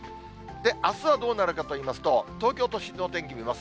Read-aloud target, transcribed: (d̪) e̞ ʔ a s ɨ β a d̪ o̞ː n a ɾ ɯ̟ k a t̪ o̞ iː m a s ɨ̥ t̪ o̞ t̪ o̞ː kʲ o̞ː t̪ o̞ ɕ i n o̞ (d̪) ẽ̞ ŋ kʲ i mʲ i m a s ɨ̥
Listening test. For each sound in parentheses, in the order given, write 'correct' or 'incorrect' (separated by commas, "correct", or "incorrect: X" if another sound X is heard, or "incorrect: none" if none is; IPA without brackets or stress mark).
correct, incorrect: t̪